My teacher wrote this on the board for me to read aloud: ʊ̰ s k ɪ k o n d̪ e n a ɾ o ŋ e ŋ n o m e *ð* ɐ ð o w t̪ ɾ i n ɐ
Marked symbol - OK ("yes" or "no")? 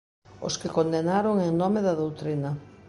yes